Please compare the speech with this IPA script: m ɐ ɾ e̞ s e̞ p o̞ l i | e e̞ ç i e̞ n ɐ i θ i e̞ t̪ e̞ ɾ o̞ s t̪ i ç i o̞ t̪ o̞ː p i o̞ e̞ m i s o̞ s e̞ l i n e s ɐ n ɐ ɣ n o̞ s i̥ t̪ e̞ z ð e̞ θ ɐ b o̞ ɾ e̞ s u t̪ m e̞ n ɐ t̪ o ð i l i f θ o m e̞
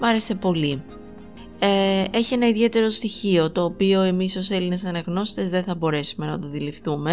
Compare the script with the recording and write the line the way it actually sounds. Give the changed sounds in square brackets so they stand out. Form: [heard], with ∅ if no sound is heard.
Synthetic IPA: m ɐ ɾ e̞ s e̞ p o̞ l i | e e̞ ç i e̞ n ɐ i [ð] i e̞ t̪ e̞ ɾ o̞ s t̪ i ç i o̞ t̪ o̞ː p i o̞ e̞ m i s o̞ s e̞ l i n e s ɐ n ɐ ɣ n o̞ s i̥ t̪ e̞ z ð e̞ θ ɐ b o̞ ɾ e̞ s u [∅] m e̞ n ɐ t̪ o ð i l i f θ [u] m e̞